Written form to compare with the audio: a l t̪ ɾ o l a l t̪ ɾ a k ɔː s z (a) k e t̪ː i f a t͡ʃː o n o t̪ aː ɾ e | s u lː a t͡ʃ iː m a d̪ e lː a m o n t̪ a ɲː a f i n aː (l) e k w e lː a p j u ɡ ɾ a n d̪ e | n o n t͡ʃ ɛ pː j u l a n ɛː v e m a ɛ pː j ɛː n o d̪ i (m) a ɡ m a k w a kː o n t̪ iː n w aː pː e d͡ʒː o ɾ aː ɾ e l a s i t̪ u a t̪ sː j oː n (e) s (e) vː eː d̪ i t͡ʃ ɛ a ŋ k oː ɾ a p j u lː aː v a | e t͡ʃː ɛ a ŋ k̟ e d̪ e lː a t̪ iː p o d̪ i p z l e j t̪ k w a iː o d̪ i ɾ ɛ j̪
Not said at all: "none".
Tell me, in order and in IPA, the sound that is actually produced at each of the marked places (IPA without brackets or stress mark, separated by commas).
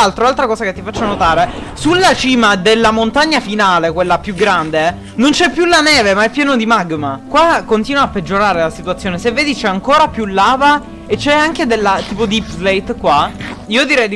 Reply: a, l, m, e, e